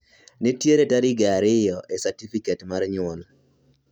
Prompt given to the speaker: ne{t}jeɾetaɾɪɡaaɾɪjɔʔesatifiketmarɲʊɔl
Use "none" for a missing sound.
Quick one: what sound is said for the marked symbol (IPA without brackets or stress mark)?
t